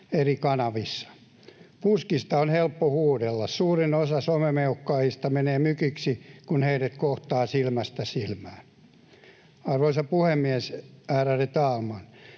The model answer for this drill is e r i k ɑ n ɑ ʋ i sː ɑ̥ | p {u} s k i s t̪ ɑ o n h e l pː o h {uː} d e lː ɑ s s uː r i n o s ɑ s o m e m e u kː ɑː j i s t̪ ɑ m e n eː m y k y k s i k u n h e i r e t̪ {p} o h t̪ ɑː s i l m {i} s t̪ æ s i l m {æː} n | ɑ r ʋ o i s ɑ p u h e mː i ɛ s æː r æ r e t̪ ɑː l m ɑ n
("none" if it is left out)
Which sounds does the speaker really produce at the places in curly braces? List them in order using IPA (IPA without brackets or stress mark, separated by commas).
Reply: u, uː, k, æ, æː